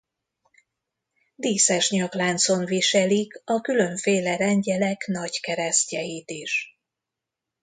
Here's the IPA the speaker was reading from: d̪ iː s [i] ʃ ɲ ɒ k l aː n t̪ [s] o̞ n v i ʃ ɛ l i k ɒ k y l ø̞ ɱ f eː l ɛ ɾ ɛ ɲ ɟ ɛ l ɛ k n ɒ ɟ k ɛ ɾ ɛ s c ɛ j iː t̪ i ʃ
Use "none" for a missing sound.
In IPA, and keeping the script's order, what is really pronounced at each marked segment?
ɛ, s

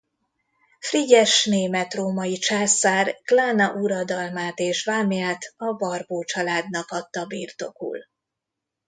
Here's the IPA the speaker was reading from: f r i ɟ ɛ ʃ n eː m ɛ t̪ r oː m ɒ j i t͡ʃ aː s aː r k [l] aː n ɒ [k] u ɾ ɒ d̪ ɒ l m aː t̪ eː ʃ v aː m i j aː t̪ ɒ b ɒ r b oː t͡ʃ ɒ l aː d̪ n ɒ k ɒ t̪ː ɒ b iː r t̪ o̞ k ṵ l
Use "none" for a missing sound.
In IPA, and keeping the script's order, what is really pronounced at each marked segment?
l, ʔ

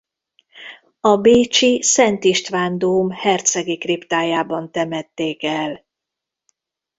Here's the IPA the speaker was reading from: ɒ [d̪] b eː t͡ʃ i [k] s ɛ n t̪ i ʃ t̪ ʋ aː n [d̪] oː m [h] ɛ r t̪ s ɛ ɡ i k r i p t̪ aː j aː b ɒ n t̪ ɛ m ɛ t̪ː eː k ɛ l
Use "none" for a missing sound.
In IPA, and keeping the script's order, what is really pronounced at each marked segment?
none, none, d̪, h

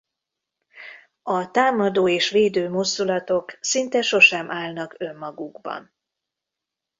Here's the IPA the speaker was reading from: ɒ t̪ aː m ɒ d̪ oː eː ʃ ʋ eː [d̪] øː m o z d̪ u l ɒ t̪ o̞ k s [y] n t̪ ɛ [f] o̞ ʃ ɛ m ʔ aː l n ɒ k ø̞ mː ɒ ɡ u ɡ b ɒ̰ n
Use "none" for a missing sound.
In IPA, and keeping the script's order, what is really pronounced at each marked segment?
d̪, i, ʃ

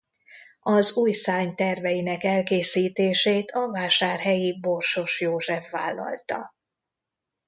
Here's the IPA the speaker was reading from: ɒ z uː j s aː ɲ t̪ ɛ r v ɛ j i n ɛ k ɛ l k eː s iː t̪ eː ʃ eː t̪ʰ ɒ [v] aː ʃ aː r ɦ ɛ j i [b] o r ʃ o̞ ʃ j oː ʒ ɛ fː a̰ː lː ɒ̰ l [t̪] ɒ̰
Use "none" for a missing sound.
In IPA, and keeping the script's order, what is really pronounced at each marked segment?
v, b, t̪

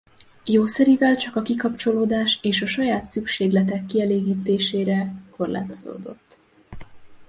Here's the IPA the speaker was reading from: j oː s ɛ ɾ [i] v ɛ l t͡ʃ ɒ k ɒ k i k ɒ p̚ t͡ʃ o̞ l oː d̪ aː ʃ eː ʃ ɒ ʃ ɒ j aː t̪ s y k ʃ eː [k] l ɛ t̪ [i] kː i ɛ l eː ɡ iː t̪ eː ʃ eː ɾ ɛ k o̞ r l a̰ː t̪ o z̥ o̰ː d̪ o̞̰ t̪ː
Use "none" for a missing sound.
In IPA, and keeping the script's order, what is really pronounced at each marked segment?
i, ɡ, ɛ

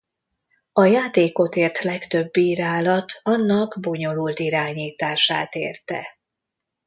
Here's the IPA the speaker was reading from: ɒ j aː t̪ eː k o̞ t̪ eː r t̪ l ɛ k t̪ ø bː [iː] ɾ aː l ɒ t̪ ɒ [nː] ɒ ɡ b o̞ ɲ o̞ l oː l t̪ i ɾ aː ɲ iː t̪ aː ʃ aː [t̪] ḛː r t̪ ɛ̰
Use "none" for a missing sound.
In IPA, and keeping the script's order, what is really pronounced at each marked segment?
iː, nː, t̪

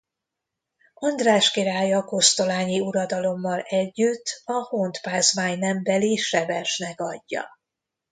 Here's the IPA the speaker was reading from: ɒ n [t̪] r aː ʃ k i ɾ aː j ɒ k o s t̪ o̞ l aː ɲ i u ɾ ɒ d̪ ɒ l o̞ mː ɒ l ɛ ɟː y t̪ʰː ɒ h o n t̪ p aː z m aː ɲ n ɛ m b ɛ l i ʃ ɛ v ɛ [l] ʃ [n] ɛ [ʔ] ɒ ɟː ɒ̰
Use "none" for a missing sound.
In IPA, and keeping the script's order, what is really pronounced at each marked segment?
d̪, r, n, k

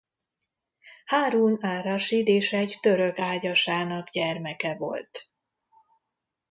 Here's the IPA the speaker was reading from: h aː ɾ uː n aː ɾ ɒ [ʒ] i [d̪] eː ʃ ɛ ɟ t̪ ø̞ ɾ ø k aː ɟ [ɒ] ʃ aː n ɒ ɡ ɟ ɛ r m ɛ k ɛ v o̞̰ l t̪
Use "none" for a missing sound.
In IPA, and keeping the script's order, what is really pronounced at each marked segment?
ʃ, d̪, ɒ

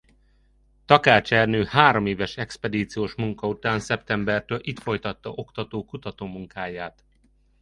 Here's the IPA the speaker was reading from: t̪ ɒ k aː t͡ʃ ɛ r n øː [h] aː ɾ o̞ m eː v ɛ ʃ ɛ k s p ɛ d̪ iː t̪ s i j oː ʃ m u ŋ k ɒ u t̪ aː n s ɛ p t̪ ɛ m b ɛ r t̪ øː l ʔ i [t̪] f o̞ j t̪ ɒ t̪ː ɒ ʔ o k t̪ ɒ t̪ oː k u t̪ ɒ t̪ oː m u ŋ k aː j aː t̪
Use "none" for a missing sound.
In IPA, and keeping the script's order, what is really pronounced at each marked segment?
h, t̪

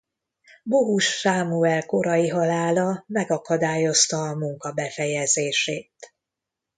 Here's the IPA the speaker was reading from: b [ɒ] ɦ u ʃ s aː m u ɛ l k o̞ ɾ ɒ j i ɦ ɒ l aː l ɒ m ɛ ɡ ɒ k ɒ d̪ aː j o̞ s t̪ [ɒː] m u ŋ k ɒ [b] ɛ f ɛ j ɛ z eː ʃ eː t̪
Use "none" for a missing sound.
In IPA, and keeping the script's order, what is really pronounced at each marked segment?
o, ɒː, b

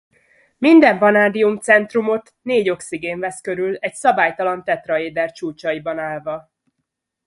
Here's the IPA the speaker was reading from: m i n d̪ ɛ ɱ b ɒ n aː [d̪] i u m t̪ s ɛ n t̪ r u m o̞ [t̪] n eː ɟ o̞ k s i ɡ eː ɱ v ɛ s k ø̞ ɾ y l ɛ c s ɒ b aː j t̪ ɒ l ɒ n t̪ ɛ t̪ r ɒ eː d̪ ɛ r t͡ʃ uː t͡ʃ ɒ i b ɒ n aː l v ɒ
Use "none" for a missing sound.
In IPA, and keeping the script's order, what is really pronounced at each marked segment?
d̪, t̪

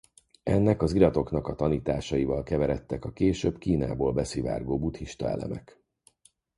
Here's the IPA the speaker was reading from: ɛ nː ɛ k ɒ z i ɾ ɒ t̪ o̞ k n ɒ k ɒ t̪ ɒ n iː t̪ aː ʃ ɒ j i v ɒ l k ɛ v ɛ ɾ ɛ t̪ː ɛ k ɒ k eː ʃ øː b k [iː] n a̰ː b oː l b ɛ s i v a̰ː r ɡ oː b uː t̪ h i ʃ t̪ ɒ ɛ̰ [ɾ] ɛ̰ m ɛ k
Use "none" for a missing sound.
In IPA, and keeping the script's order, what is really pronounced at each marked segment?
iː, l

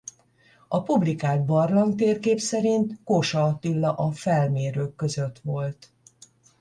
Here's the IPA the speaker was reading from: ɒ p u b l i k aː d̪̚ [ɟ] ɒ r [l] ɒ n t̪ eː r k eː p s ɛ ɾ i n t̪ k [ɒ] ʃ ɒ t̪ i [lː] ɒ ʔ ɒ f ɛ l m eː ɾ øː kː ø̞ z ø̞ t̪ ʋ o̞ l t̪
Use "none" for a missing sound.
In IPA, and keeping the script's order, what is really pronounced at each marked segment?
b, l, o, lː

